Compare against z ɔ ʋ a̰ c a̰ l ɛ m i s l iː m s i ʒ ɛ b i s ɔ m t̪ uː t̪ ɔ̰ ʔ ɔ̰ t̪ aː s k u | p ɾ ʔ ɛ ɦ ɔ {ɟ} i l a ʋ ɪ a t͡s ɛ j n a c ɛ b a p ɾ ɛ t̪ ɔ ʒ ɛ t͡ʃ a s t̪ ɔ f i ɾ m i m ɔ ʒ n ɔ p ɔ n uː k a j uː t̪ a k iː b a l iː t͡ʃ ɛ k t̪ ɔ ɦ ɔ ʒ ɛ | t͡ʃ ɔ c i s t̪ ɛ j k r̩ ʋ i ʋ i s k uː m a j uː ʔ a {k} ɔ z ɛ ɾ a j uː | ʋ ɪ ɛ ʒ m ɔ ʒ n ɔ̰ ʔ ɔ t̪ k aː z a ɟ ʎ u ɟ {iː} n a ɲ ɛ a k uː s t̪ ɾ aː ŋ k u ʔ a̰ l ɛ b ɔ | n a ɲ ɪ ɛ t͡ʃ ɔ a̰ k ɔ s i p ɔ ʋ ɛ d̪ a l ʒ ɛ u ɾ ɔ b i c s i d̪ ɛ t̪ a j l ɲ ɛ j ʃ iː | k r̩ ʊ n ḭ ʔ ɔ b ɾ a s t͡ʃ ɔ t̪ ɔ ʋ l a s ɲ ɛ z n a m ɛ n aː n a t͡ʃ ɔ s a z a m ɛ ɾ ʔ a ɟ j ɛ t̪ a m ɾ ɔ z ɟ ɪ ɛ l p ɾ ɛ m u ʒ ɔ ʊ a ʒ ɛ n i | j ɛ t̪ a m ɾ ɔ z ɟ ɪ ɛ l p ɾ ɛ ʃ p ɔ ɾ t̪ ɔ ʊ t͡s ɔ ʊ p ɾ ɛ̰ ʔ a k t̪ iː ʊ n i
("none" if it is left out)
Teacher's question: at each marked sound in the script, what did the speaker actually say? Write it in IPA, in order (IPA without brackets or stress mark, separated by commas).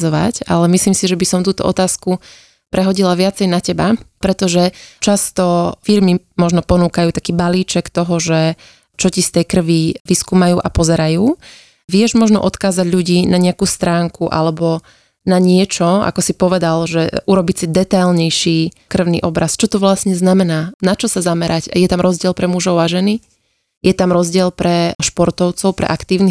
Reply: ɟ, p, iː